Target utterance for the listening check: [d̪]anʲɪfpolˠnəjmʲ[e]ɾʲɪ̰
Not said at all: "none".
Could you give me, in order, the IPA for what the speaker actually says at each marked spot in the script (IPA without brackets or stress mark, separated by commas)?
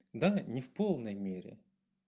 d̪, e